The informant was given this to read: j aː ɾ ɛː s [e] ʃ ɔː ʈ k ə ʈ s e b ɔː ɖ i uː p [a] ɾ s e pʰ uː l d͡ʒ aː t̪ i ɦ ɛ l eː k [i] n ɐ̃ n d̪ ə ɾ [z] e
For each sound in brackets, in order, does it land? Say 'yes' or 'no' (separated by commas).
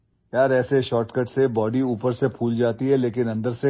yes, no, no, no